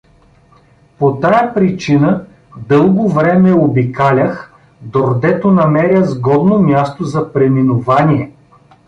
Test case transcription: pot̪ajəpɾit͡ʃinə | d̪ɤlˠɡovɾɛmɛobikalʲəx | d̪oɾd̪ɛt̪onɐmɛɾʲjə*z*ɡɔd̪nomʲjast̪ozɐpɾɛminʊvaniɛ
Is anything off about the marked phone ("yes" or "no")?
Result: no